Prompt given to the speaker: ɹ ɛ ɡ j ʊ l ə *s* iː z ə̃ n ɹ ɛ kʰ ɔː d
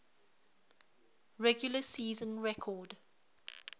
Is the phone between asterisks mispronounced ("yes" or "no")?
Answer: no